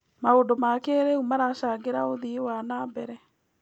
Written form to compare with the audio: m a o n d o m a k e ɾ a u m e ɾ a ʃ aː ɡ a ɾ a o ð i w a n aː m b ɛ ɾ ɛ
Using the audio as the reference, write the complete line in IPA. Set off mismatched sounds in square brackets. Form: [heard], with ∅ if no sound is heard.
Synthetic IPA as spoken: m a o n d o m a k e ɾ [e] u m [a] ɾ a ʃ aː ɡ [e] ɾ a o ð i w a n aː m b ɛ ɾ ɛ

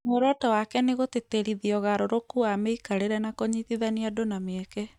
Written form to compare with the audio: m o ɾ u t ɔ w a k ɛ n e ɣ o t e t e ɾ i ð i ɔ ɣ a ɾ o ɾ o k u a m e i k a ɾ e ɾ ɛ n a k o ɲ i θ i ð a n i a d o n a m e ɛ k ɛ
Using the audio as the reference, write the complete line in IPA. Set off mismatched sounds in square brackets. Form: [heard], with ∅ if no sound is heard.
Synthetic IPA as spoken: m o ɾ [ɔ] t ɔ w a k ɛ n e ɣ o t e t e ɾ i ð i ɔ ɣ a ɾ o ɾ o k u a m e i k a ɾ e ɾ ɛ n a k o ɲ i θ i ð a n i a d o n a m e ɛ k ɛ

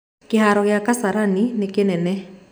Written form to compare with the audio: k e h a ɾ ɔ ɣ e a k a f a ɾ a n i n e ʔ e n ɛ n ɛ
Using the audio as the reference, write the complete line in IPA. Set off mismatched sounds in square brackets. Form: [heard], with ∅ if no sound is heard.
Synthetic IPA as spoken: k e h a ɾ ɔ ɣ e a k a [s] a ɾ a n i n e [k] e n ɛ n ɛ

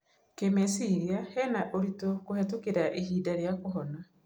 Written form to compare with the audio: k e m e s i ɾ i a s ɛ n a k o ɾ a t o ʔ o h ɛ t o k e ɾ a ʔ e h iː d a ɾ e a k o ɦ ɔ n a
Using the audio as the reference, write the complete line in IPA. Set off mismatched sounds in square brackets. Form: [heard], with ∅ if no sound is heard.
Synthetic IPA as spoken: k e m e s i ɾ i a [h] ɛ n a [ʔ] o ɾ [i] t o [k] o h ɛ t o k e ɾ a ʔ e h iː d a ɾ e a k o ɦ ɔ n a

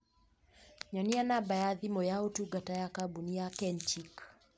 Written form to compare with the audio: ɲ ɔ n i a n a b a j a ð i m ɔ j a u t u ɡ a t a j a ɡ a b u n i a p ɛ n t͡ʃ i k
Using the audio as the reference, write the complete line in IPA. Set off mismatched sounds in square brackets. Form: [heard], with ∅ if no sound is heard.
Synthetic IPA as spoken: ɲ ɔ n i a n a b a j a ð i m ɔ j a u t u ɡ a t a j a [k] a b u n i a [k] ɛ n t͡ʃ i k

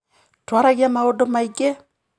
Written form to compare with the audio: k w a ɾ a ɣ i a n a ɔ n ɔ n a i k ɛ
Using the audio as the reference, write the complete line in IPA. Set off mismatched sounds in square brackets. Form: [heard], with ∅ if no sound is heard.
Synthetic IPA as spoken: [t] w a ɾ a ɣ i a [m] a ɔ [d] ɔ [m] a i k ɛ

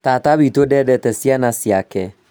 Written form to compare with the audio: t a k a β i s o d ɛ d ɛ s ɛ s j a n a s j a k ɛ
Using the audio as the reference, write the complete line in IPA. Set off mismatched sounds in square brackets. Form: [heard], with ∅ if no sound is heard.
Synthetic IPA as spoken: t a [t] a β i [t] o d ɛ d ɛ [t] ɛ s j a n a s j a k ɛ

